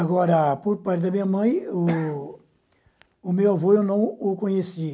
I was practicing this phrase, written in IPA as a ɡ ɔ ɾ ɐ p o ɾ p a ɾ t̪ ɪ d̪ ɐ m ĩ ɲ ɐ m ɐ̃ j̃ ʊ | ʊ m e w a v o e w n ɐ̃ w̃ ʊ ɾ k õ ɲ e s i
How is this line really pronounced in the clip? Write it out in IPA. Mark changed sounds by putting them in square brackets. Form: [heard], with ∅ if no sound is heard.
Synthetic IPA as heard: a ɡ ɔ ɾ ɐ p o ɾ p a ɾ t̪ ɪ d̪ ɐ m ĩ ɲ ɐ m ɐ̃ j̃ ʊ | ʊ m e w a v o e w n ɐ̃ w̃ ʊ [∅] k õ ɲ e s i